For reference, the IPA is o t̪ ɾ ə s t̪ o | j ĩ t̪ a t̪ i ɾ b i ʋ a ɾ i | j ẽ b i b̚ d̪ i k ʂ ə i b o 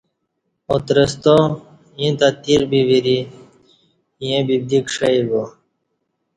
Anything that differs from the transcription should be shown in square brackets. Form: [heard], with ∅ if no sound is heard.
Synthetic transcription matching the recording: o t̪ ɾ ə s t̪ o | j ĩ t̪ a t̪ i ɾ b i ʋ [i] ɾ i | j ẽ b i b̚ d̪ i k ʂ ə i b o